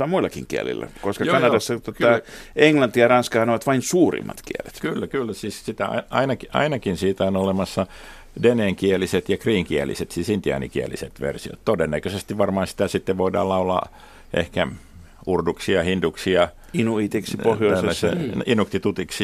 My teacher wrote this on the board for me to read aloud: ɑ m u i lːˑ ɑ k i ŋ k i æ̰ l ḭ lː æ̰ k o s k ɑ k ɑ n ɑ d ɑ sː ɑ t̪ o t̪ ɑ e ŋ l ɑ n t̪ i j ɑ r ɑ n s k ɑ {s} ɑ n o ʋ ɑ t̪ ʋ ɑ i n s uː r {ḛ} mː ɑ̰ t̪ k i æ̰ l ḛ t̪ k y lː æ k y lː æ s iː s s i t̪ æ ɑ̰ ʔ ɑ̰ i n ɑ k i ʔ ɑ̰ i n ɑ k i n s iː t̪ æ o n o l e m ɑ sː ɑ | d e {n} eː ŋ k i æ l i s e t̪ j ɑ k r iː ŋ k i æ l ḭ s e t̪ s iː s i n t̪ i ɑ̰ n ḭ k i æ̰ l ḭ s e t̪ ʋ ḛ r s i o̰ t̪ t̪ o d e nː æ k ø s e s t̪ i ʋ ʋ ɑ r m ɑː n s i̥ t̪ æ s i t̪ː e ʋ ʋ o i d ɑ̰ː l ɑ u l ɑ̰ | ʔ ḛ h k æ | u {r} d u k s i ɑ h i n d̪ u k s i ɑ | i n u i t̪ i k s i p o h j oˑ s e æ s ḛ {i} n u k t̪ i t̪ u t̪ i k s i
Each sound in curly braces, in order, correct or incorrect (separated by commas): incorrect, incorrect, correct, correct, correct